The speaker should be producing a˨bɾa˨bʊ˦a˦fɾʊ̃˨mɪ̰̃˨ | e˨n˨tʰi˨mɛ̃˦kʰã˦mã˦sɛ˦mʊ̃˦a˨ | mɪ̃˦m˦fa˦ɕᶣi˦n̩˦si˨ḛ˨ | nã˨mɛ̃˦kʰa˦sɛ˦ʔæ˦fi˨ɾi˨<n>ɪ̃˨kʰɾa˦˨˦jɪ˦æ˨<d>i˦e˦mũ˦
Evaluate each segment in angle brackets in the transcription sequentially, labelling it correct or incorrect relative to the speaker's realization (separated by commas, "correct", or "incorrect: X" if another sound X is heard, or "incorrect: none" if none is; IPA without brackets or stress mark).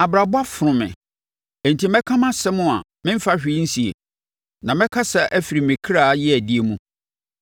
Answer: incorrect: m, correct